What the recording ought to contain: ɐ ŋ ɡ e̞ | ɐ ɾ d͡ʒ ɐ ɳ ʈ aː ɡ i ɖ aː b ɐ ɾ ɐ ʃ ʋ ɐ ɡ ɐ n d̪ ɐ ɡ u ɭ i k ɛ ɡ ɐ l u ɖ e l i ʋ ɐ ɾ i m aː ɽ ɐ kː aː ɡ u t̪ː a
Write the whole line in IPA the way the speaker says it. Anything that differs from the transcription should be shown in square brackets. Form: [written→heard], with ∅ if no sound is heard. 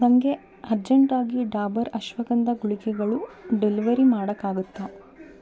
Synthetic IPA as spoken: ɐ ŋ ɡ e̞ | ɐ ɾ d͡ʒ ɐ ɳ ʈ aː ɡ i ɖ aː b ɐ ɾ ɐ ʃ ʋ ɐ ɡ ɐ n d̪ ɐ ɡ u ɭ i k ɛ ɡ ɐ [l→ɭ] u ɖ e l i ʋ ɐ ɾ i m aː ɽ ɐ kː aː ɡ u t̪ː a

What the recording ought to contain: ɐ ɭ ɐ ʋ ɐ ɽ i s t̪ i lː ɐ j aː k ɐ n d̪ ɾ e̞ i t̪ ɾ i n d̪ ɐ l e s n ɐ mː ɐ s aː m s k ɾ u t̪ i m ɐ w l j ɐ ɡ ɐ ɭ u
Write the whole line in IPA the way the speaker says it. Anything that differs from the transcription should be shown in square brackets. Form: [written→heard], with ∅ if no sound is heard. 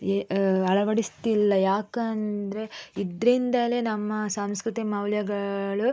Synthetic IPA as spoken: ɐ ɭ ɐ ʋ ɐ ɽ i s t̪ i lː ɐ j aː k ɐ n d̪ ɾ e̞ i [t̪→d̪] ɾ i n d̪ ɐ l e [s→∅] n ɐ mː ɐ s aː m s k ɾ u t̪ i m ɐ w l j ɐ ɡ ɐ ɭ u

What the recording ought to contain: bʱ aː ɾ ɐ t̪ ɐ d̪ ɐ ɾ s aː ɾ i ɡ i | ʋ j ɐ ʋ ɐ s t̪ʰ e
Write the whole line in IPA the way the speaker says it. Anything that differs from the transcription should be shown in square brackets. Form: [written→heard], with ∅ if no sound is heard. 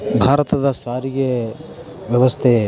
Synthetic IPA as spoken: bʱ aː ɾ ɐ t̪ ɐ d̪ ɐ [ɾ→∅] s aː ɾ i ɡ [i→e] | ʋ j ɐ ʋ ɐ s t̪ʰ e

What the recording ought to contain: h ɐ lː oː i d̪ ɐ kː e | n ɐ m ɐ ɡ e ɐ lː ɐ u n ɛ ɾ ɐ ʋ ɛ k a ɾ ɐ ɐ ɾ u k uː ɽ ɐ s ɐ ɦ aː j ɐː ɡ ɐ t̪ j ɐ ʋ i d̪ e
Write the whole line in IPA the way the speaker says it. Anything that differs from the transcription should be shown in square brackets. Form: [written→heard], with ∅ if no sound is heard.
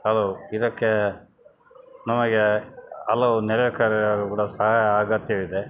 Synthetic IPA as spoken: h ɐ [lː→l] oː i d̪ ɐ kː e | n ɐ m ɐ ɡ e ɐ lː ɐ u n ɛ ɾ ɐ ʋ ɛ k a ɾ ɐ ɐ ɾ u k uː ɽ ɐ s ɐ ɦ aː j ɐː ɡ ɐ t̪ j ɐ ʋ i d̪ e

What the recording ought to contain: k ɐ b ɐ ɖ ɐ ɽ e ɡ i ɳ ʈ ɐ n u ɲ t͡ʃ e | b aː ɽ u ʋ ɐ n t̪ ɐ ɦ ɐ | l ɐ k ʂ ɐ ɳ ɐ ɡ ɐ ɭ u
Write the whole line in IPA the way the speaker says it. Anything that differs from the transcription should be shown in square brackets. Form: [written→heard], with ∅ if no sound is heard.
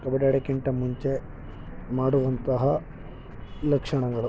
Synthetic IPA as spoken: k ɐ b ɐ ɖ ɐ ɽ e [ɡ→k] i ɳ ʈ ɐ [n→m] u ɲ t͡ʃ e | [b→m] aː ɽ u ʋ ɐ n t̪ ɐ ɦ ɐ | l ɐ k ʂ ɐ ɳ ɐ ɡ ɐ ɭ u

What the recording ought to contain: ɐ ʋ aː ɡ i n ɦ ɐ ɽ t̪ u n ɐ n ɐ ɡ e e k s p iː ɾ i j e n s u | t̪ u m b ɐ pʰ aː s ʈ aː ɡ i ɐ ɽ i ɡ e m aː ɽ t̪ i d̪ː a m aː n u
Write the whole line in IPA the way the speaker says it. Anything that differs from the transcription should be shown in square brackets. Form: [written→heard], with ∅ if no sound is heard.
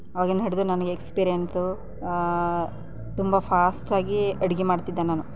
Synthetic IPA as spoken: ɐ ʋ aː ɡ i n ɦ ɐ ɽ [t̪→d̪] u n ɐ n ɐ ɡ e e k s p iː ɾ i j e n s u | t̪ u m b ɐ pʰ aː s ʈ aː ɡ i ɐ ɽ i ɡ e m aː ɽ t̪ i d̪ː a [m→n] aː n u

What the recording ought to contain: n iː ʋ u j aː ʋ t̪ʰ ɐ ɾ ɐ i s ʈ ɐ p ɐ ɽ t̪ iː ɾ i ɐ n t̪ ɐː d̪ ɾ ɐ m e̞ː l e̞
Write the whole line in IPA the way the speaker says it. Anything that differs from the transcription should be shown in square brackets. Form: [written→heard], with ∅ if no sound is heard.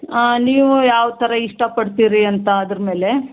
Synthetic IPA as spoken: n iː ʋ u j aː ʋ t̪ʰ ɐ ɾ ɐ i [s→ʂ] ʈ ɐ p ɐ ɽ t̪ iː ɾ i ɐ n t̪ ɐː d̪ ɾ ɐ m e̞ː l e̞

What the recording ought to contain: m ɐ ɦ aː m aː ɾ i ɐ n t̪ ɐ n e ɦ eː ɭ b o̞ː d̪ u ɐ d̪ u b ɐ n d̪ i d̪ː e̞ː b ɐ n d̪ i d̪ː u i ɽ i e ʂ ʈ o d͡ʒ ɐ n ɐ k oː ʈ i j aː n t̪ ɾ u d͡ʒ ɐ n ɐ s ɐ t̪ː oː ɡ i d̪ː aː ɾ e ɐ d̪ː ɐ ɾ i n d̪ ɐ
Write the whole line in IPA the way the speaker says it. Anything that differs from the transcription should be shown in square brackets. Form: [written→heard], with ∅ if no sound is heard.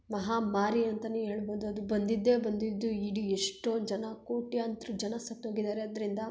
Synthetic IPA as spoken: m ɐ ɦ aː m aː ɾ i ɐ n t̪ ɐ n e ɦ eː ɭ b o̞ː d̪ u ɐ d̪ u b ɐ n d̪ i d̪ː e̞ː b ɐ n d̪ i d̪ː u i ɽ i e ʂ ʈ o d͡ʒ ɐ n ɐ k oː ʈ i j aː n t̪ ɾ u d͡ʒ ɐ n ɐ s ɐ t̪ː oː ɡ i [d̪ː→d̪] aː ɾ e ɐ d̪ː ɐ ɾ i n d̪ ɐ

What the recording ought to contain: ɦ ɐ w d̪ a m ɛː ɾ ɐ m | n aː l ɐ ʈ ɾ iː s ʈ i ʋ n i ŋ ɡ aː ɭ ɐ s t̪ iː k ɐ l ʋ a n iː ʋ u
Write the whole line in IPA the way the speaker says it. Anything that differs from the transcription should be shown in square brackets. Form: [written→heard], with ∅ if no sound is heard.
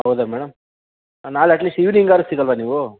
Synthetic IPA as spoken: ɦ ɐ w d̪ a m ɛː [ɾ→ɽ] ɐ m | n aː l ɐ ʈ [ɾ→l] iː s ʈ i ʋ n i ŋ ɡ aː [ɭ→ɾ] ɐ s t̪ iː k ɐ l ʋ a n iː ʋ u

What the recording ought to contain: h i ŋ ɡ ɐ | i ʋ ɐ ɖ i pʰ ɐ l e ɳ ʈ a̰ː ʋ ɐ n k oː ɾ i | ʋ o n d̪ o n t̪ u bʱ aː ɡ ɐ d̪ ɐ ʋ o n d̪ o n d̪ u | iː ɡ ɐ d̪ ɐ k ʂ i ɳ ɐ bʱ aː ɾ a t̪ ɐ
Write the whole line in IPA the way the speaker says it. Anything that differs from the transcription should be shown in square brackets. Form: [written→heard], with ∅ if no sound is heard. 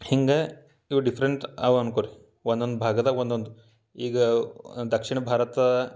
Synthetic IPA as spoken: h i ŋ ɡ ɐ | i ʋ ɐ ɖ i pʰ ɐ [l→ɾ] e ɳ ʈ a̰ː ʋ ɐ n k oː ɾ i | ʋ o n d̪ o n [t̪→d̪] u bʱ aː ɡ ɐ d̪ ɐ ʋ o n d̪ o n d̪ u | iː ɡ ɐ d̪ ɐ k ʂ i ɳ ɐ bʱ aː ɾ [a→ɐ] t̪ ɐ

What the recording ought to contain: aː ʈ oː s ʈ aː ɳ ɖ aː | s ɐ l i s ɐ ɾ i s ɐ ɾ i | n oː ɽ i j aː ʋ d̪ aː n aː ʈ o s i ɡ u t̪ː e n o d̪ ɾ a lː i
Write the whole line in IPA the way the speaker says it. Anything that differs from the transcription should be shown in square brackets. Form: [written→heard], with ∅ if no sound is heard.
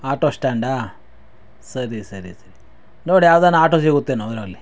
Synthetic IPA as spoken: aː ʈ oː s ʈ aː ɳ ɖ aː | s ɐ [l→ɾ] i s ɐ ɾ i s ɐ ɾ i | n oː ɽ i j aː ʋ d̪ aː n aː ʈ o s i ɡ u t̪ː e n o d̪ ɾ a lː i

